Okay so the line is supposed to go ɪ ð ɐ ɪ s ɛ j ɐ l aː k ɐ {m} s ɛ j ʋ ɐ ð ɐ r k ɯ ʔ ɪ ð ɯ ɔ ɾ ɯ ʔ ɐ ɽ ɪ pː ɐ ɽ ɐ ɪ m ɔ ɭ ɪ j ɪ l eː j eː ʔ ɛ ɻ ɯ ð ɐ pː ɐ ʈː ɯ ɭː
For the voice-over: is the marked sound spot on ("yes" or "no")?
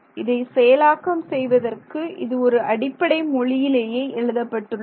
yes